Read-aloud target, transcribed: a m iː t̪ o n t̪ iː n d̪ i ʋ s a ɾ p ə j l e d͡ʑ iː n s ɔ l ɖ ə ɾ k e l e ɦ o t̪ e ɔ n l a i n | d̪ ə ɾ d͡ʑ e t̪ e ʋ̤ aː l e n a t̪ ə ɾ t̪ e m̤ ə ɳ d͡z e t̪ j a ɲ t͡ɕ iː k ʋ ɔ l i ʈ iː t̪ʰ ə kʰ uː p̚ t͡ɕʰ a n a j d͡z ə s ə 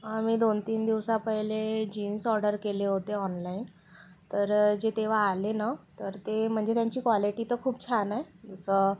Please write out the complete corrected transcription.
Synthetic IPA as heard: a m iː d̪ o n t̪ iː n d̪ i ʋ s a p ə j l e d͡ʑ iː n s ɔ ɾ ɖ ə ɾ k e l e ɦ o t̪ e ɔ n l a i n | t̪ ə ɾ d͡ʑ e t̪ e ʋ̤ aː l e n a t̪ ə ɾ t̪ e m̤ ə ɳ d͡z e t̪ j a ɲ t͡ɕ iː k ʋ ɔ l i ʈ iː t̪ ə kʰ uː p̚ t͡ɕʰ a n a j d͡z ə s ə